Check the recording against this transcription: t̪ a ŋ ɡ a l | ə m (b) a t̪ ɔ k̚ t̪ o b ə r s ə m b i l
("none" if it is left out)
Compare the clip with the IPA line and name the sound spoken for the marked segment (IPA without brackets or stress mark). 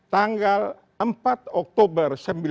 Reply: p